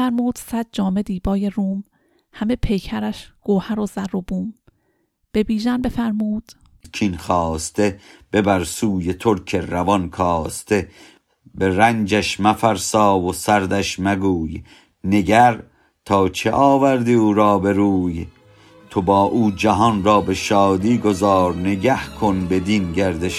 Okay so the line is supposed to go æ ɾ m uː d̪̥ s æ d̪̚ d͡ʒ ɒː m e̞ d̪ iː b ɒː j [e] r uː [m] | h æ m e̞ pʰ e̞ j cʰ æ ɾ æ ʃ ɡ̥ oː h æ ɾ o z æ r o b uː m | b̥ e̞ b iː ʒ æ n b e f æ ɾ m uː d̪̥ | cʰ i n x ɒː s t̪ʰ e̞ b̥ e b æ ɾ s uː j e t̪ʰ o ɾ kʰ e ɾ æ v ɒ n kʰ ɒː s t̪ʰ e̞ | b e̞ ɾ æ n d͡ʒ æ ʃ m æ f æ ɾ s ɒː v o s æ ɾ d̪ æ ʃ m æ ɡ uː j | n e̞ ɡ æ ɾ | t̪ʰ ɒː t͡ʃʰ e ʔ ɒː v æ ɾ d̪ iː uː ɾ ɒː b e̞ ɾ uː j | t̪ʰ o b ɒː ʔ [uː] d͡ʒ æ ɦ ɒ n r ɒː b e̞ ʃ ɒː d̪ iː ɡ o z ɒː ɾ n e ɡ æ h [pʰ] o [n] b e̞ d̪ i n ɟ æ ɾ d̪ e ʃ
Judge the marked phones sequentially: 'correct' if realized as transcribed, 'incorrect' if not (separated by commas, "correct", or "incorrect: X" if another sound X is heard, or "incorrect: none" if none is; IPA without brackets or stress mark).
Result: correct, correct, correct, incorrect: kʰ, correct